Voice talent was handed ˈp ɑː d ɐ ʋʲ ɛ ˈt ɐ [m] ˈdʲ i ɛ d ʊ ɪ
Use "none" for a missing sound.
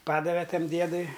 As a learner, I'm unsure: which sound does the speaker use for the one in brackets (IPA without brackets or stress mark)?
m